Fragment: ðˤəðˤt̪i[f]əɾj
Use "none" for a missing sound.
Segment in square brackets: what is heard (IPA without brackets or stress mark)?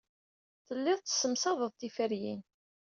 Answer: f